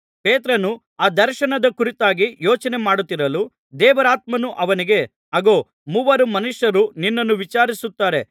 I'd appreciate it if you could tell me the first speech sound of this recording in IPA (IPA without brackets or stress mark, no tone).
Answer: p